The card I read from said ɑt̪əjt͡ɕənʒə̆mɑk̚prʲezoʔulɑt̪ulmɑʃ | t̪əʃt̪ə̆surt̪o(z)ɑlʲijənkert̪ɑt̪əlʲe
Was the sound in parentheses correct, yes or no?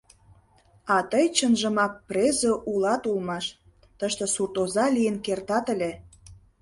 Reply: yes